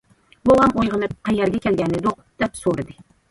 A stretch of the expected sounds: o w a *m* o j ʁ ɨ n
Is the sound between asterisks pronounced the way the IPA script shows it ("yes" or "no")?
yes